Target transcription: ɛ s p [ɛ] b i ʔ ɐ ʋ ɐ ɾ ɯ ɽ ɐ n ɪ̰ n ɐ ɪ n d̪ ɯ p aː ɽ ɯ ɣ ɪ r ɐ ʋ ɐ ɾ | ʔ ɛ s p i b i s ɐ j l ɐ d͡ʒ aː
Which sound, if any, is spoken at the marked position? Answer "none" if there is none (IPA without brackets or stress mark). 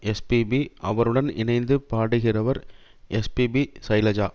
i